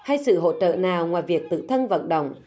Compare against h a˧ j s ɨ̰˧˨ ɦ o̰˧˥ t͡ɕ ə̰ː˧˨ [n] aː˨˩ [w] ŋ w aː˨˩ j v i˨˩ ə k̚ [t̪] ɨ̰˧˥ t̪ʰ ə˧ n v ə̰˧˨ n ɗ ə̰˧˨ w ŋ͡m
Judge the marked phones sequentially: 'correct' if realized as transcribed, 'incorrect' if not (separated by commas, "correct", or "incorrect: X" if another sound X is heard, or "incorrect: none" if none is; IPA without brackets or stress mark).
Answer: correct, correct, correct